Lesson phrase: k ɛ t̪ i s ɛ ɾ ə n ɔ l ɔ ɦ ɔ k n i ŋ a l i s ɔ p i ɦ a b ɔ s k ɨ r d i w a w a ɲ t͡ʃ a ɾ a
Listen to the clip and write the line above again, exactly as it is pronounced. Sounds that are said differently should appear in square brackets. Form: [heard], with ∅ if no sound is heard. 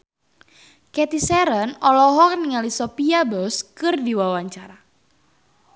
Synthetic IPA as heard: k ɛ t̪ i s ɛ ɾ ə n ɔ l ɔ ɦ ɔ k n i ŋ a l i s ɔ p i [∅] a b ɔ s k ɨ r d i w a w a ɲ t͡ʃ a ɾ a